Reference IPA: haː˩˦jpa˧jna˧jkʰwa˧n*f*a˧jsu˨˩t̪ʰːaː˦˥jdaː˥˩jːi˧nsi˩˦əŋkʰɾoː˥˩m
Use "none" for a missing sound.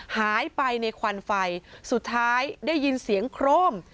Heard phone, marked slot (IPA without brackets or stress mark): f